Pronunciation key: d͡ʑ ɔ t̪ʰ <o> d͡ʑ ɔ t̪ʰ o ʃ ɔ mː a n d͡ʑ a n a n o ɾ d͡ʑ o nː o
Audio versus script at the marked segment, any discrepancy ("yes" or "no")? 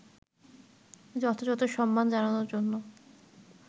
no